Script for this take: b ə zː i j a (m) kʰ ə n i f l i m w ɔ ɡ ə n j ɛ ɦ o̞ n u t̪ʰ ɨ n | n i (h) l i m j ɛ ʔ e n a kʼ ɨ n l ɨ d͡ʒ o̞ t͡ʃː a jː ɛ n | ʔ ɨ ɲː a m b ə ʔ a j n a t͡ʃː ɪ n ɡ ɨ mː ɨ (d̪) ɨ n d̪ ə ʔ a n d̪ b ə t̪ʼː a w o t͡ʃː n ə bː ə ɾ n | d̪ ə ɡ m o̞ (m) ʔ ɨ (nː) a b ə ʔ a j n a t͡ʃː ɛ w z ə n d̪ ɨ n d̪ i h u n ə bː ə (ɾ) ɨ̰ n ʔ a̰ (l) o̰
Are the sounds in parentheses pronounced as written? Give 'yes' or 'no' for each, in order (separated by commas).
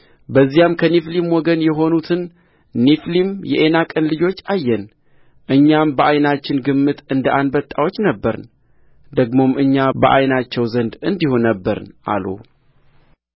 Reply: yes, no, no, yes, no, yes, yes